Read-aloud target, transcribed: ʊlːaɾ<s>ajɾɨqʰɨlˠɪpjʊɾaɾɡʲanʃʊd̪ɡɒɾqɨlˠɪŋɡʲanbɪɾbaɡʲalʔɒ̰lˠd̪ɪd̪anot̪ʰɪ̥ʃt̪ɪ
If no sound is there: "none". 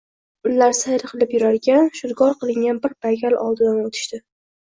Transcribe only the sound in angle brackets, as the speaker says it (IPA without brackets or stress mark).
s